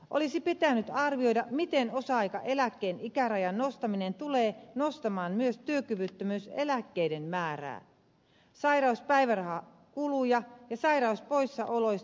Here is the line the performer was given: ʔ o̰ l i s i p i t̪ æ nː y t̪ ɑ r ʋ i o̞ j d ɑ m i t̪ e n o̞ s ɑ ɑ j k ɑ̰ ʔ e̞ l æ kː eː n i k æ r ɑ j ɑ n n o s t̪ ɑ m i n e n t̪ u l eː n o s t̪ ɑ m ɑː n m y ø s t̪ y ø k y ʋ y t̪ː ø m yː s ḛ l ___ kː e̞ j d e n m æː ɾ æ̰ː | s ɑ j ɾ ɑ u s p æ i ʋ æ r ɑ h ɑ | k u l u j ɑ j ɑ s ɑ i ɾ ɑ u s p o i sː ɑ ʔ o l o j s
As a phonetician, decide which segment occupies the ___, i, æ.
æ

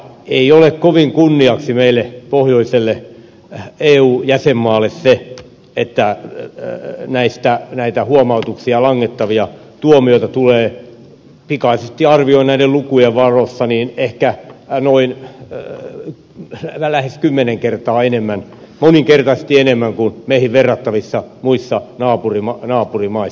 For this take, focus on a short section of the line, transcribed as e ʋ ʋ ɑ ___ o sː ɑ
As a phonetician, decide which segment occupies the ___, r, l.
r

